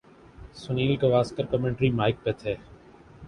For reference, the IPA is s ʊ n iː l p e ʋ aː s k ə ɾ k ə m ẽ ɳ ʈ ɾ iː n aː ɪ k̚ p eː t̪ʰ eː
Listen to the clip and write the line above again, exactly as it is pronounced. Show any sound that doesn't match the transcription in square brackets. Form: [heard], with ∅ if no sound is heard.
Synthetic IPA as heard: s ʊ n iː l [k] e ʋ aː s k ə ɾ k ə m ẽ ɳ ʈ ɾ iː [m] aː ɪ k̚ p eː t̪ʰ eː